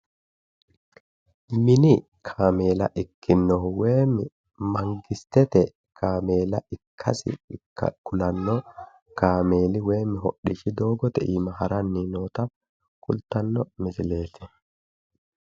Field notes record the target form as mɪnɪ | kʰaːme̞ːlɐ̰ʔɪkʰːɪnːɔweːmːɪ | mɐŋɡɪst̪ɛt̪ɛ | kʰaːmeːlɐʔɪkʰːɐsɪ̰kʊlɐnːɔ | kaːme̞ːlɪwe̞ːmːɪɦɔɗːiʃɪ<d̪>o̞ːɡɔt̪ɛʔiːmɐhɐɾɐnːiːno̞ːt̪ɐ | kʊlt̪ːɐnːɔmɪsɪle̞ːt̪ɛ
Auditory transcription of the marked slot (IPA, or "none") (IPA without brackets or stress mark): d̪